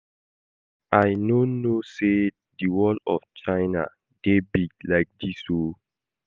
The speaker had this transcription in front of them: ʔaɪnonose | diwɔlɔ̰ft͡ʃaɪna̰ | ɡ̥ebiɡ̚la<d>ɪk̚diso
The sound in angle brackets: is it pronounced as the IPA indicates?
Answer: no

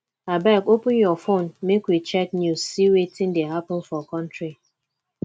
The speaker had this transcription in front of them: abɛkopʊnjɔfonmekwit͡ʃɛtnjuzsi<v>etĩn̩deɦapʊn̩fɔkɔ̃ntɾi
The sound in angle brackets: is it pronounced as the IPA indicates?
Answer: no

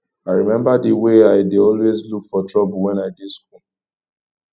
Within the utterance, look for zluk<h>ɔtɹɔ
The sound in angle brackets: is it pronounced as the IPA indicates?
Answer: no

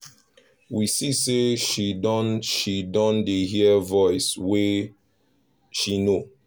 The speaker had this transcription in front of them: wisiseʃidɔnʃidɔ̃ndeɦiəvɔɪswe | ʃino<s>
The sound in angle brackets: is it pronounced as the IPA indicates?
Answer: no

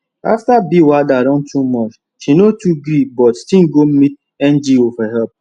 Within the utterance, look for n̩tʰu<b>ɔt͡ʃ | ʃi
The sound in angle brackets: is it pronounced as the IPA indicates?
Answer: no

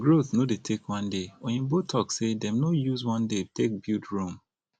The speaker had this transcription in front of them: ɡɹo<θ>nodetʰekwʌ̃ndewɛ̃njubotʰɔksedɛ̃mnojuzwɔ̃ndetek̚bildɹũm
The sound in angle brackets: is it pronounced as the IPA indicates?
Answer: yes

